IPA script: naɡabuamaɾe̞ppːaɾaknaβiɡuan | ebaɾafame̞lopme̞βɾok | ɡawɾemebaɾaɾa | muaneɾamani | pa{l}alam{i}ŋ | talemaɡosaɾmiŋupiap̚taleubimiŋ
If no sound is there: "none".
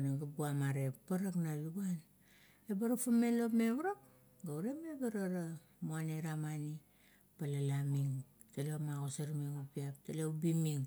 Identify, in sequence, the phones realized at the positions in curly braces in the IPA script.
l, i

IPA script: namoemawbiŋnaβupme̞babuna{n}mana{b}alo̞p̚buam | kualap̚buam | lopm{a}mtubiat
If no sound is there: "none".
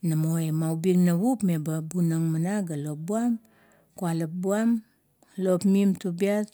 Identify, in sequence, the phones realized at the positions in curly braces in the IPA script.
ŋ, ɡ, i

